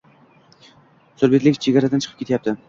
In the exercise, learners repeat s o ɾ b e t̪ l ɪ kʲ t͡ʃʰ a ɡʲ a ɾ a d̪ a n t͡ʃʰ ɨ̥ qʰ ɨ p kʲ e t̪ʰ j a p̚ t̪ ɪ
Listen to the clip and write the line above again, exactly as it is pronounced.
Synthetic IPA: s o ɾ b e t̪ l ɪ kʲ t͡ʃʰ e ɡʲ a ɾ a d̪ a n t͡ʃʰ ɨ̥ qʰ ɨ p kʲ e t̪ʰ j a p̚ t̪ ɪ